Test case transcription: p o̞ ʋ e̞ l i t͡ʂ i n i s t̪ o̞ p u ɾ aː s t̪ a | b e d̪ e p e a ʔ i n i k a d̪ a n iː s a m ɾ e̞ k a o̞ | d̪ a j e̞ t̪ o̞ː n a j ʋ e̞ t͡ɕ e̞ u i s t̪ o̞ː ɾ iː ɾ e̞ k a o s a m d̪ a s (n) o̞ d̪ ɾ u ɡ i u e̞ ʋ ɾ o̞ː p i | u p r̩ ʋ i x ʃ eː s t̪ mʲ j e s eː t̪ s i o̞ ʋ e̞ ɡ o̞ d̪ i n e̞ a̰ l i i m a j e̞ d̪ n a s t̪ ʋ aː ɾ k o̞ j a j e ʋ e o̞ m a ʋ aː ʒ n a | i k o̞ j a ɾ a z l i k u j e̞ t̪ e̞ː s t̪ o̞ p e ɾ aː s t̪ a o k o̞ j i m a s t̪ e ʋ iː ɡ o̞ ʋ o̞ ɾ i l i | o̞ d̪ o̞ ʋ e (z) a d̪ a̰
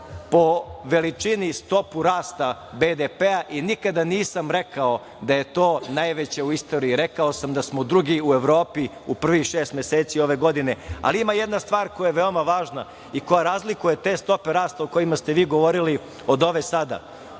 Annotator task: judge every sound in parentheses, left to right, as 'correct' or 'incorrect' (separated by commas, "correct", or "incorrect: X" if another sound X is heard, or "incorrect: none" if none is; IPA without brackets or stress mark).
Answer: incorrect: m, incorrect: s